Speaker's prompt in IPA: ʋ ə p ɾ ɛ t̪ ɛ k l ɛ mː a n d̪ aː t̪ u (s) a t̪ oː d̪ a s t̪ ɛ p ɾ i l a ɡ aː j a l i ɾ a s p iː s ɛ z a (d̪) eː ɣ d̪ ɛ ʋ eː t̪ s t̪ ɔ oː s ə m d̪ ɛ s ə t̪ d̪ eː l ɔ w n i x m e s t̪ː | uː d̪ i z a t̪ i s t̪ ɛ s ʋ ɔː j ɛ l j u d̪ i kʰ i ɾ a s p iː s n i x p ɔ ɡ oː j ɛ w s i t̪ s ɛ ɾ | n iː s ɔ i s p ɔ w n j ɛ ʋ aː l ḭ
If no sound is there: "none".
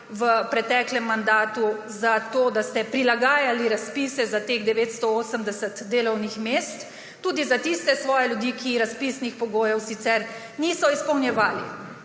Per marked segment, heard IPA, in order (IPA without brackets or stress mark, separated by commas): z, t̪